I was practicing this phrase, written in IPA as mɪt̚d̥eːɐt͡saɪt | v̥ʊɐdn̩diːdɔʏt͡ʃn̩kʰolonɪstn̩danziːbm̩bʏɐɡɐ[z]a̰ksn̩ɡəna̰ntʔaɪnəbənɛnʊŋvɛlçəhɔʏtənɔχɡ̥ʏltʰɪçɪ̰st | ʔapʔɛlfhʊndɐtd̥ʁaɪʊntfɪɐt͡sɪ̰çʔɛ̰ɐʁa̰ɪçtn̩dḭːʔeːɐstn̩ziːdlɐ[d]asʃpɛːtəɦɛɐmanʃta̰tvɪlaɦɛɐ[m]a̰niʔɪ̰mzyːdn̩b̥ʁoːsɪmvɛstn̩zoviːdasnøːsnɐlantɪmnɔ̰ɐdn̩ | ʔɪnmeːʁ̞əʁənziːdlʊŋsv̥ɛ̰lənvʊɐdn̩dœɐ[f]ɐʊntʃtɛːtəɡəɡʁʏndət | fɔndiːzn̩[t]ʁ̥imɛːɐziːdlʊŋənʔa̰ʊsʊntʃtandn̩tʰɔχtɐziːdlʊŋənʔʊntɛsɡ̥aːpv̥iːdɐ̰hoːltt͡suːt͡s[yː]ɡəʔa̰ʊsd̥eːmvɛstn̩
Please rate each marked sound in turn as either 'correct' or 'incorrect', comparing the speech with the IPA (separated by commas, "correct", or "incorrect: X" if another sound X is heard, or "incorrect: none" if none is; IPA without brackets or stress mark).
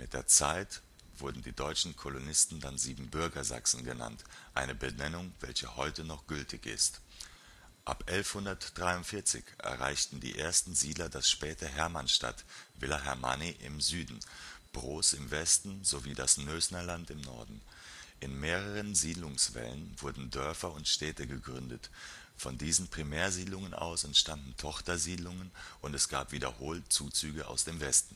correct, correct, correct, correct, incorrect: p, correct